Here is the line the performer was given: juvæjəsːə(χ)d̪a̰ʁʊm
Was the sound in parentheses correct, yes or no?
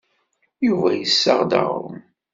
no